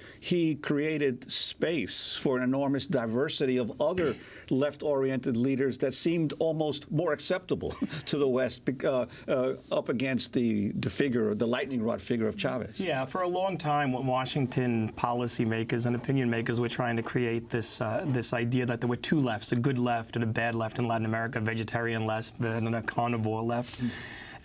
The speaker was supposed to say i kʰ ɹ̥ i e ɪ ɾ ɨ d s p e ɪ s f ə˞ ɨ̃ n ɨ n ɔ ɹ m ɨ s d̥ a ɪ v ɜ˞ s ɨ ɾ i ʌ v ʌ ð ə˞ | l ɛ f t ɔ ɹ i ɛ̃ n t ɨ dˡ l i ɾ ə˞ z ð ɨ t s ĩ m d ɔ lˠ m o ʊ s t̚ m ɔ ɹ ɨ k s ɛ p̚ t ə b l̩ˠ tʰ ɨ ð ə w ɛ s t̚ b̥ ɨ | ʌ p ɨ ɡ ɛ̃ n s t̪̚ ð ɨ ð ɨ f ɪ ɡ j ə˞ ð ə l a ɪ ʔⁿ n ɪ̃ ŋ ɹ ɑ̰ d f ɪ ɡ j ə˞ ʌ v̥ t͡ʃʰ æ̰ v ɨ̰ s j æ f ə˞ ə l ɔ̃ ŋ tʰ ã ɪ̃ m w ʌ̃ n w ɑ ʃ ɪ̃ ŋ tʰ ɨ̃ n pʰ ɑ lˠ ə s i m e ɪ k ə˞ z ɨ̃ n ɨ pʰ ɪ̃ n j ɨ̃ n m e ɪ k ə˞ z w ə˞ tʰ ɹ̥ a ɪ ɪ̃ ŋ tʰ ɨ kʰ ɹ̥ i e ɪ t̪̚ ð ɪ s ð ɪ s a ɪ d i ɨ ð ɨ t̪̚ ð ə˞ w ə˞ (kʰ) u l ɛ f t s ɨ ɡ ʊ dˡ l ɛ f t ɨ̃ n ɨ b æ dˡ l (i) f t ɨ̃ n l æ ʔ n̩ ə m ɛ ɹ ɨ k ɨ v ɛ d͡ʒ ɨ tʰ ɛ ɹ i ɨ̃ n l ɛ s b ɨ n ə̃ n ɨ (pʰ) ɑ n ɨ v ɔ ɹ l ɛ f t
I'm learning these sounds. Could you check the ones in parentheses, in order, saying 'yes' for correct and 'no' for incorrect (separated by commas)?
no, no, no